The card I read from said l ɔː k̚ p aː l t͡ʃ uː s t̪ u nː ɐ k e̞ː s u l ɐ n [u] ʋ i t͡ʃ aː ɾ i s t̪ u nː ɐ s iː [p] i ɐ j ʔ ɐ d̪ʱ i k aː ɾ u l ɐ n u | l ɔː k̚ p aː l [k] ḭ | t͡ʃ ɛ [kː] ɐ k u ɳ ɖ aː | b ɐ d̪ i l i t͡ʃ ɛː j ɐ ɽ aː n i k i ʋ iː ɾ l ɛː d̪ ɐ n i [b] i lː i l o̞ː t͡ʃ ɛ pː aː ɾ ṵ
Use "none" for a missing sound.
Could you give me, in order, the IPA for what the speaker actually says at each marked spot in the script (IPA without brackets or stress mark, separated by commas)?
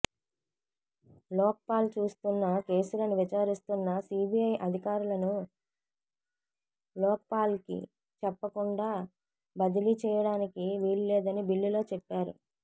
u, b, k, pː, b